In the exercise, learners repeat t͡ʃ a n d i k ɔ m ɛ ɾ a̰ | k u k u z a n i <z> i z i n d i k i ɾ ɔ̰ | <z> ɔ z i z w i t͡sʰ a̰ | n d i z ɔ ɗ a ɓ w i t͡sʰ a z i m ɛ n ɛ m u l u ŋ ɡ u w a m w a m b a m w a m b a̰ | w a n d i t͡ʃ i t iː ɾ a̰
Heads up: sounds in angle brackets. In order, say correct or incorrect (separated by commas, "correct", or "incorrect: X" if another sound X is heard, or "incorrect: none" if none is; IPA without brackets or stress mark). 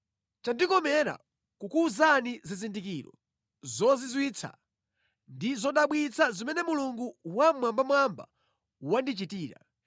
correct, correct